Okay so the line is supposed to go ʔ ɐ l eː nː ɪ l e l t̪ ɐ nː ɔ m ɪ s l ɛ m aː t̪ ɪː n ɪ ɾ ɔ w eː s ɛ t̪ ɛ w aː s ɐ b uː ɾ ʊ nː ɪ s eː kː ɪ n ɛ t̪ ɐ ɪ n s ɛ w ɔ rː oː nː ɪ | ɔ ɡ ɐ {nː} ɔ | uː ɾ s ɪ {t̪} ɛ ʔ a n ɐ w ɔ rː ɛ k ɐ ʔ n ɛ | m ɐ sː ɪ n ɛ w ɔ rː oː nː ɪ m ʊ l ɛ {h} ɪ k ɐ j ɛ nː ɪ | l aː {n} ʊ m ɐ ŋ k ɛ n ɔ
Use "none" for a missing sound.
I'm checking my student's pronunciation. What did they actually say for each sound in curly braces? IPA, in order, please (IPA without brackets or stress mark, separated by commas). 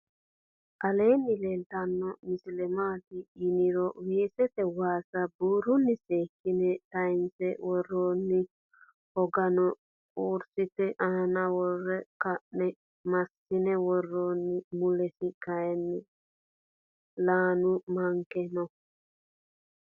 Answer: n, t̪, s, n